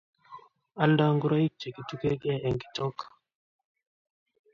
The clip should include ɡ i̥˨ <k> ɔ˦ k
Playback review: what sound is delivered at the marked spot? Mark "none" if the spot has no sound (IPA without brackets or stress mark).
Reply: t